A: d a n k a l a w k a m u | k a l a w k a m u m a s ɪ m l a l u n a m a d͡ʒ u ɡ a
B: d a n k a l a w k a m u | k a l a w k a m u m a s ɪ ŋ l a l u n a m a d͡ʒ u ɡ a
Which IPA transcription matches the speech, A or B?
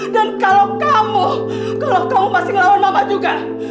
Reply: B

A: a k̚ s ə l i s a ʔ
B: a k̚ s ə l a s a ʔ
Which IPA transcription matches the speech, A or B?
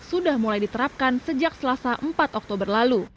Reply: B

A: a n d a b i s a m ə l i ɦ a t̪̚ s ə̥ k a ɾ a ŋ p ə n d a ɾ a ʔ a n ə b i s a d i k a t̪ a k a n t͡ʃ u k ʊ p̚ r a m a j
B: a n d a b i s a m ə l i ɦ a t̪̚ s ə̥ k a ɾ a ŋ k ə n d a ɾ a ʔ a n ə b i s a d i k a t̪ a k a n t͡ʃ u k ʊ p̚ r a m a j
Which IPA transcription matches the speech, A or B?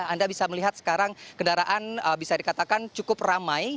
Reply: B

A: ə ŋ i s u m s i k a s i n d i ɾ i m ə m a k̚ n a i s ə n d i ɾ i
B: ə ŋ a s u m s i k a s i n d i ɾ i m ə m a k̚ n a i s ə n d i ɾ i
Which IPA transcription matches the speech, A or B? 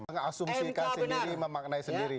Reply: B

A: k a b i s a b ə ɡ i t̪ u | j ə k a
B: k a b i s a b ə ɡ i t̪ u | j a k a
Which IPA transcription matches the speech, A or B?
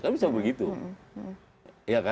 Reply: B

